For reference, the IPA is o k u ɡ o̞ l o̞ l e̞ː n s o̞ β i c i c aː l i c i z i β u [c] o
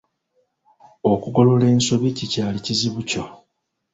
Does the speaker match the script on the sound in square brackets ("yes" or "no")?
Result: yes